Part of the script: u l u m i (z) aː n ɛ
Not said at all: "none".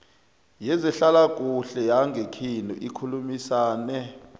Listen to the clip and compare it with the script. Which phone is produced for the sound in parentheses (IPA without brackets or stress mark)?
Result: s